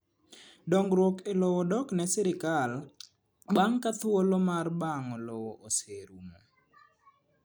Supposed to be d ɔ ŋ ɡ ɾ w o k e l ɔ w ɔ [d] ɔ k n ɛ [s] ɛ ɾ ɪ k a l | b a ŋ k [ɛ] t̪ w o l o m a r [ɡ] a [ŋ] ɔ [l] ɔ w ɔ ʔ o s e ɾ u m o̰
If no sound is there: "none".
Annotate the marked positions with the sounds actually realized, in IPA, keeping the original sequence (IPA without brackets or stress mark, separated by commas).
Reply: d, s, a, b, ŋ, l